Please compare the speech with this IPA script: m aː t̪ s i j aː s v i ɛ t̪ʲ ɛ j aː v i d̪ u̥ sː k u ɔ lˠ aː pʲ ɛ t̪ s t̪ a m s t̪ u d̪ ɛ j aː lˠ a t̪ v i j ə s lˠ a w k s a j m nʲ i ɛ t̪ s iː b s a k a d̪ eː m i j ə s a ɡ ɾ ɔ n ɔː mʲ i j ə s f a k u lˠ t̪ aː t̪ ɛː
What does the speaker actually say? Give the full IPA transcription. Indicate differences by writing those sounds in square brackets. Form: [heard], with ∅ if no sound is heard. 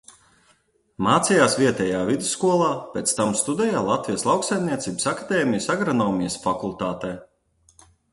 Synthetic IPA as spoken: m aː t̪ s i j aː s v i ɛ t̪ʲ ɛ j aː v i d̪ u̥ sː k u ɔ lˠ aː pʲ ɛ t̪ s t̪ a m s t̪ u d̪ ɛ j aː lˠ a t̪ v i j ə s lˠ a w k s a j m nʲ i ɛ t̪ s iː b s a k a d̪ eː m i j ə s a ɡ ɾ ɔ n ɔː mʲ i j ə s f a k u lˠ t̪ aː t̪ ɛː